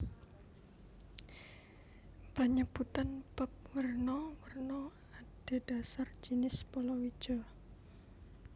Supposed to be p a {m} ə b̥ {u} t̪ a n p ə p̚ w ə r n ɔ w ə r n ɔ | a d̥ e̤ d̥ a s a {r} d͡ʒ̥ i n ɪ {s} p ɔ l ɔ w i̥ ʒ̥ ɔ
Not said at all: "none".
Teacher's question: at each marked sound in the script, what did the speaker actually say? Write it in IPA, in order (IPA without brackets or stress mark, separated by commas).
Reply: ɲ, u, r, s